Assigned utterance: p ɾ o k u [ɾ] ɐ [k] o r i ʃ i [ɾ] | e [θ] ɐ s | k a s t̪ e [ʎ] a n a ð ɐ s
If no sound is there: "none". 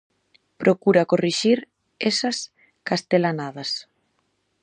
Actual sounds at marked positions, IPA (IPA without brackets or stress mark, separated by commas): ɾ, k, ɾ, s, l